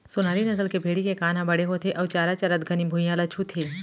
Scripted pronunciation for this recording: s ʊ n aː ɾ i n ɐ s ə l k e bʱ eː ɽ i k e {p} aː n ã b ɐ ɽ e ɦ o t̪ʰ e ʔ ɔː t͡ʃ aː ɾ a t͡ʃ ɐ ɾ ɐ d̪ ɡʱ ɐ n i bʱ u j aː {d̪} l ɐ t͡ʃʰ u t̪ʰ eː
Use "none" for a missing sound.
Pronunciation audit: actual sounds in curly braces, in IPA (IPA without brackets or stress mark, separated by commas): k, none